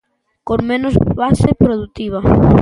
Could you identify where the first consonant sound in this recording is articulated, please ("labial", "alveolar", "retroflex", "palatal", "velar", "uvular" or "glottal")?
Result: velar